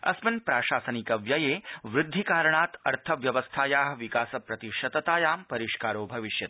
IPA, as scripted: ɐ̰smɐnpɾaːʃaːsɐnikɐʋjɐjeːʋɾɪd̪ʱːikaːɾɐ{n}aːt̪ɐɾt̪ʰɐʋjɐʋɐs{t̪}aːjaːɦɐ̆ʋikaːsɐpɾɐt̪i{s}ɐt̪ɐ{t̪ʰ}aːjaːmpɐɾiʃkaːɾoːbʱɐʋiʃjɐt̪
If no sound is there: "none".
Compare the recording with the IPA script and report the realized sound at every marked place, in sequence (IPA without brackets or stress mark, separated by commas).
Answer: ɳ, t̪ʰ, ʃ, t̪